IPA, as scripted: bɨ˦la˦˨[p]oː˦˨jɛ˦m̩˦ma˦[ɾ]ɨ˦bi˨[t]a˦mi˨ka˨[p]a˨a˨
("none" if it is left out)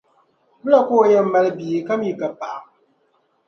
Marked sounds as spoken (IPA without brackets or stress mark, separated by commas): k, l, k, p